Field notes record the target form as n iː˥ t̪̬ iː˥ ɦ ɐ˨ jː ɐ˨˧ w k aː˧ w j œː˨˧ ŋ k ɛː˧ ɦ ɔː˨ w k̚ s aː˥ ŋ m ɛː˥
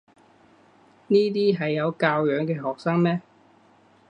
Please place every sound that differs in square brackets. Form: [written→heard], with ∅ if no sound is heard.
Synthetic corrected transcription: n iː˥ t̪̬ iː˥ ɦ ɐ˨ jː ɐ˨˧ w k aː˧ w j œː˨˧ ŋ k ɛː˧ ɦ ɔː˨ [w→∅] k̚ s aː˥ ŋ m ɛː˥